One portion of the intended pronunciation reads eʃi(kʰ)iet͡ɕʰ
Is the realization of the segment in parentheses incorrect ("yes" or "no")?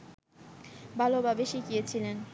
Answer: yes